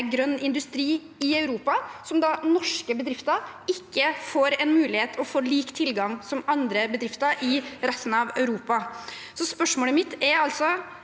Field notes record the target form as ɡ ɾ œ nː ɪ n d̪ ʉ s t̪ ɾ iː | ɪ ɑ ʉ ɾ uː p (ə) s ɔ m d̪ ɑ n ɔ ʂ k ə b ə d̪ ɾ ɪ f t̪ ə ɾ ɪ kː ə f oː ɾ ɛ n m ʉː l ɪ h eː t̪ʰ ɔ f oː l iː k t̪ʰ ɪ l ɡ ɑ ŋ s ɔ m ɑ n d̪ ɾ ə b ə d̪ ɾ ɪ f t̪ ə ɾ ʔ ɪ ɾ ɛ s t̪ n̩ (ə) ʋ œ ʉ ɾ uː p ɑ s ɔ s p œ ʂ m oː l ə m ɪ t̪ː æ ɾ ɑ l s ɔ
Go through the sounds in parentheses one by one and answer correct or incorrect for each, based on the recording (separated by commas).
incorrect, incorrect